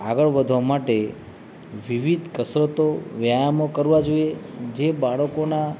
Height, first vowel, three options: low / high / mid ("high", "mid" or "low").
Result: low